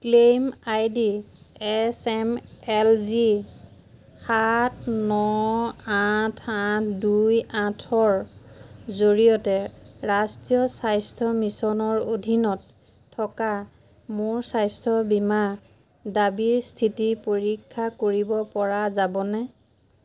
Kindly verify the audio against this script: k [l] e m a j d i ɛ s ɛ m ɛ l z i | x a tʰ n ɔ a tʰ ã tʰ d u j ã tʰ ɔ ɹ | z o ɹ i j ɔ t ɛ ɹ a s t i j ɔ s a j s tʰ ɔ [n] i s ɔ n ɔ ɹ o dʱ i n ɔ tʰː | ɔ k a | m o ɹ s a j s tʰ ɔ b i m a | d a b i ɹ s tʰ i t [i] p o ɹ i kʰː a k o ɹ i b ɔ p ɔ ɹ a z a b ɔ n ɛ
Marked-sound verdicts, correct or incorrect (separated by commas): correct, incorrect, correct